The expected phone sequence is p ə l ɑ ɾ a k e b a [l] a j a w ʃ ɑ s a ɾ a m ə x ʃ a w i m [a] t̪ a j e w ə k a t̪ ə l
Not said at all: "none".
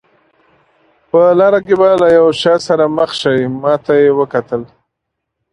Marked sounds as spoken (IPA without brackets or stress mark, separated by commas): l, ɑ